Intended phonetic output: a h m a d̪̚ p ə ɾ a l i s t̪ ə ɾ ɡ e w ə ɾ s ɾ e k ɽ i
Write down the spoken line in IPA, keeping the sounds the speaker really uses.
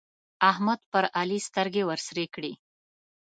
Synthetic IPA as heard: a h m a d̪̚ p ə ɾ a l i s t̪ ə ɾ ɡ e w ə ɾ s ɾ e k ɽ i